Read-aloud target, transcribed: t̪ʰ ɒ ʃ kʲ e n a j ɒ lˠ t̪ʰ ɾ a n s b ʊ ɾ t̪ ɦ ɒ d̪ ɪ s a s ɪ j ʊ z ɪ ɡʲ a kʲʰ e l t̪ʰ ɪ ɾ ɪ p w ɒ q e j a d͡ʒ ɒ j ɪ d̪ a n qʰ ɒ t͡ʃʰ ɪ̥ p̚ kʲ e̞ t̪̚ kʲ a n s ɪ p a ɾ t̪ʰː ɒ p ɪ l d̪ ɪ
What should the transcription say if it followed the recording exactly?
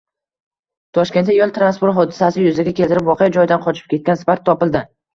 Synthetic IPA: t̪ʰ ɒ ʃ kʲ e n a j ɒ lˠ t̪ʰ ɾ a n s p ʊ ɾ t̪ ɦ ɒ d̪ ɪ s a s ɪ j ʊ z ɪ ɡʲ a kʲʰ e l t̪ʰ ɪ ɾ ɪ p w ɒ q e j a d͡ʒ ɒ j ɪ d̪ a n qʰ ɒ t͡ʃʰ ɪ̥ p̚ kʲ e̞ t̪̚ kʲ a n s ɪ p a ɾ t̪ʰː ɒ p ɪ l d̪ ɪ